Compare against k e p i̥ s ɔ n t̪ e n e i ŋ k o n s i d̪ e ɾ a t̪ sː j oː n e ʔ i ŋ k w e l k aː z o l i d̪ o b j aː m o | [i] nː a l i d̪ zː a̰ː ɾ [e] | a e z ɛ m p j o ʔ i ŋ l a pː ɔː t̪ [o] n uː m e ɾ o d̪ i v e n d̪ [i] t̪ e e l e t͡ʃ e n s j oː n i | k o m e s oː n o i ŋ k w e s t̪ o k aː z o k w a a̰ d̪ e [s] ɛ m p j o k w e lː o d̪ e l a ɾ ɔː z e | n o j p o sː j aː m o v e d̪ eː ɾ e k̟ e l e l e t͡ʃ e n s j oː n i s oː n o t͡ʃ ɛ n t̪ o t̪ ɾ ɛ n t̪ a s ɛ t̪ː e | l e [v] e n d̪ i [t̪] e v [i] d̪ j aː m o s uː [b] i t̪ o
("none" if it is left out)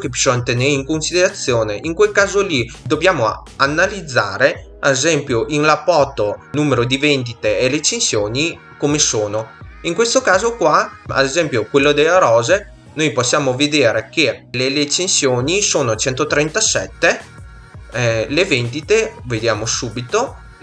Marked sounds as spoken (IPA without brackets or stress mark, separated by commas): a, e, o, i, z, v, t̪, e, b